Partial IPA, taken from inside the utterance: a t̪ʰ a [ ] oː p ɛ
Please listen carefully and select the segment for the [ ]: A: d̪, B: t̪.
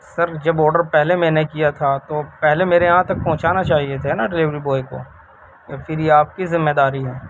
B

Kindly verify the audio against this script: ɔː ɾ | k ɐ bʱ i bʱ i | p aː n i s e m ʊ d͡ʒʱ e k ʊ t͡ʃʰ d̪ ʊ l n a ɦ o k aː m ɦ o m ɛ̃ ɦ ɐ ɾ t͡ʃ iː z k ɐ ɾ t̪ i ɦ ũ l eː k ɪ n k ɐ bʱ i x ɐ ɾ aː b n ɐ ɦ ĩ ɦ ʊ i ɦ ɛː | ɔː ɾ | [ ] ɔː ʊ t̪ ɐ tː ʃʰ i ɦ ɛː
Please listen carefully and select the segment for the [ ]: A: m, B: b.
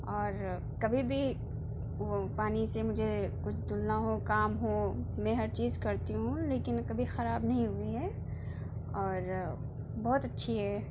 B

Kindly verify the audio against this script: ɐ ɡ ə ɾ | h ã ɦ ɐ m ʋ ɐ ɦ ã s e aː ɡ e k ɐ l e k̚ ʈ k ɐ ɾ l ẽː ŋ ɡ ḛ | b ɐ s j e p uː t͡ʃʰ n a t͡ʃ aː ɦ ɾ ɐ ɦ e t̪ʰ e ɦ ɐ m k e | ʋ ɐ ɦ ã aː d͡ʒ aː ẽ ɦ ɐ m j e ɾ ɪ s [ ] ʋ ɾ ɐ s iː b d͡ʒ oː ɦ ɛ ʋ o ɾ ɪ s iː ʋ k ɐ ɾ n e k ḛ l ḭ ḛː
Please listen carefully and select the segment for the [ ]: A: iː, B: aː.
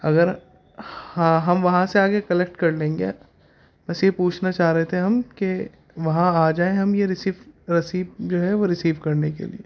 A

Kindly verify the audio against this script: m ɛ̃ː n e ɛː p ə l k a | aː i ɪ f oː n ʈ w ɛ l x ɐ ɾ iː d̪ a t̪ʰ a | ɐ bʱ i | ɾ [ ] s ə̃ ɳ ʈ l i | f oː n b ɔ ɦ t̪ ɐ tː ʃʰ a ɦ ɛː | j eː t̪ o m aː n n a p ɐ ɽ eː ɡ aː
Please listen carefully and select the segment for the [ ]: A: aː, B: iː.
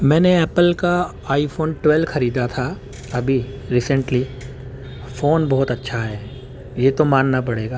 B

